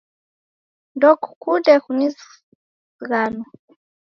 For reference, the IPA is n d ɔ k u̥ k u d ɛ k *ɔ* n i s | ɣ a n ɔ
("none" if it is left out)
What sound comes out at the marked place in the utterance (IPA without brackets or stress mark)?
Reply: u